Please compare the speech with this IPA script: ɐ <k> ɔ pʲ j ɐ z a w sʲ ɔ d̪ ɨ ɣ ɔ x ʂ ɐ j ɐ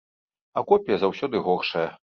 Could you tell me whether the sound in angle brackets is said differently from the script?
no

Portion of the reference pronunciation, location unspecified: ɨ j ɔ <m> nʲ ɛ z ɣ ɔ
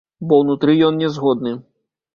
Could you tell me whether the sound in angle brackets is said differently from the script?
yes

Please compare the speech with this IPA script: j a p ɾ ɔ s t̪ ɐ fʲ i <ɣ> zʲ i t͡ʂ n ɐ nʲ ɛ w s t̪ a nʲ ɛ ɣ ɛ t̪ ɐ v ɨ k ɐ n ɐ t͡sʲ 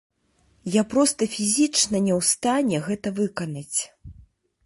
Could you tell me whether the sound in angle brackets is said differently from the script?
yes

